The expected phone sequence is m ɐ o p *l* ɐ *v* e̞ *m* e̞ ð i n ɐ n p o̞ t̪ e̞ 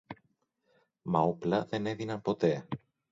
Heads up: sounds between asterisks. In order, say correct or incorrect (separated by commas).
correct, incorrect, incorrect